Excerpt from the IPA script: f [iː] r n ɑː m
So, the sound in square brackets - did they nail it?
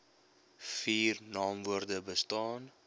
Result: yes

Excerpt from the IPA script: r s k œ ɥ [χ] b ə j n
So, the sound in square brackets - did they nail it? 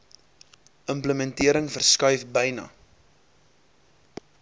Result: no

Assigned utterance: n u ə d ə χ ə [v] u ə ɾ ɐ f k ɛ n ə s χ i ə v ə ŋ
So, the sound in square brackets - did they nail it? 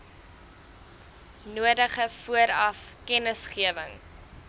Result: no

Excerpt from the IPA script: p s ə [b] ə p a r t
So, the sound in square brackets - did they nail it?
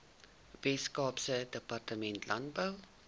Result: no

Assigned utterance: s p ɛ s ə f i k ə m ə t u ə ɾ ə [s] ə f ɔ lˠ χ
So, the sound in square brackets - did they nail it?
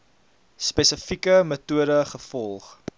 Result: no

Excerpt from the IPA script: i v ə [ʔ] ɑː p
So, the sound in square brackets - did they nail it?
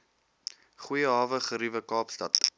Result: no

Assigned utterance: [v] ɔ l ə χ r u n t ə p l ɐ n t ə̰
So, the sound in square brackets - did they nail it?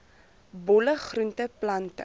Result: no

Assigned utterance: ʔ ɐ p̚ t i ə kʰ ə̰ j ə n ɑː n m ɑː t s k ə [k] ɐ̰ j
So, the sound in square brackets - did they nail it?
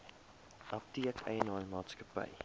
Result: no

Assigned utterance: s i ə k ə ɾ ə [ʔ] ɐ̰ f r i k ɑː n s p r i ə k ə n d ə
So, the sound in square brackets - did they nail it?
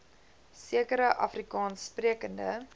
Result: yes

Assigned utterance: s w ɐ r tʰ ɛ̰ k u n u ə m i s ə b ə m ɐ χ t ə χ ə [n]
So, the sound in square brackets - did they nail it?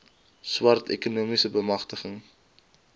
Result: no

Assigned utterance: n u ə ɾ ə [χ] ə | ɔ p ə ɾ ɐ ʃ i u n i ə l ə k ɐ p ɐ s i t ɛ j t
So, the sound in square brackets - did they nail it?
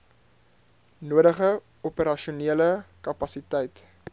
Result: yes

